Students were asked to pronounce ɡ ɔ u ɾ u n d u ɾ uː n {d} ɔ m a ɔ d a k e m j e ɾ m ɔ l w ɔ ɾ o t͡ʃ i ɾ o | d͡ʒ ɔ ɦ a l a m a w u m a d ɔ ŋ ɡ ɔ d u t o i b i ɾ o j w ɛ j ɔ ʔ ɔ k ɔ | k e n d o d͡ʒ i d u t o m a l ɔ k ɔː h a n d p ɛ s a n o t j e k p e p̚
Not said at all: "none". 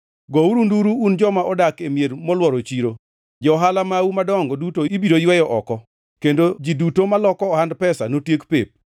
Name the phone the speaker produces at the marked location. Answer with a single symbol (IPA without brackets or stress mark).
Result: d͡ʒ